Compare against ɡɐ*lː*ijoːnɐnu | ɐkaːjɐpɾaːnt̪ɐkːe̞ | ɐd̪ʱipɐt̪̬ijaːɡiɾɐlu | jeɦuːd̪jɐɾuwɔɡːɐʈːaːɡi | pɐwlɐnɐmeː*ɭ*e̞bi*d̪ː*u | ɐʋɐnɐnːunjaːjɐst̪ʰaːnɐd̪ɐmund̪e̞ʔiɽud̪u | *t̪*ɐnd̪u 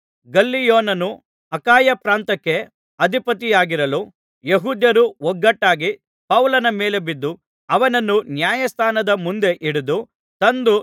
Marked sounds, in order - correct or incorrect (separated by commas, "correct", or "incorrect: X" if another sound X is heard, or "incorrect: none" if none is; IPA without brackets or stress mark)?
correct, incorrect: l, correct, correct